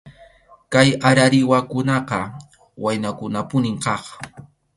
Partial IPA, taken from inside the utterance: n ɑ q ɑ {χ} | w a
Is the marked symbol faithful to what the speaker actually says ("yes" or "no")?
no